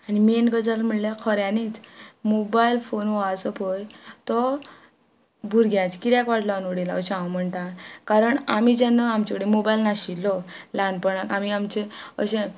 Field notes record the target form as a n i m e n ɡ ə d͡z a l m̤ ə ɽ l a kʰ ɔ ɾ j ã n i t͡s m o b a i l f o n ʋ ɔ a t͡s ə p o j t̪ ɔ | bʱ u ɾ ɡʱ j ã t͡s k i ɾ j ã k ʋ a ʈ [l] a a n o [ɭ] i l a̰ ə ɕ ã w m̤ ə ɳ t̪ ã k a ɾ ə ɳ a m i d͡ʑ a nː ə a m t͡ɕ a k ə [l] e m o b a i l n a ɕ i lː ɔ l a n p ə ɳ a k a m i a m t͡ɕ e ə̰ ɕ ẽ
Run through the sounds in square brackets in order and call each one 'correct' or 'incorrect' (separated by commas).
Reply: correct, incorrect, incorrect